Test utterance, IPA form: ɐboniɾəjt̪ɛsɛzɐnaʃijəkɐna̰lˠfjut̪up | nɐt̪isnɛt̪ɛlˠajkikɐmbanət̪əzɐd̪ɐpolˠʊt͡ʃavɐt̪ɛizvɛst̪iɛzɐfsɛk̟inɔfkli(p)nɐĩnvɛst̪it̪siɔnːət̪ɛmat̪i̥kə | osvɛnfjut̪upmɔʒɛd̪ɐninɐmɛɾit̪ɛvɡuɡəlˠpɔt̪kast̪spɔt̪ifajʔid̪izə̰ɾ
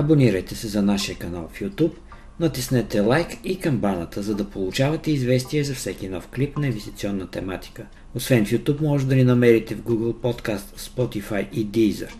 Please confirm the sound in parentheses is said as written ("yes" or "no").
yes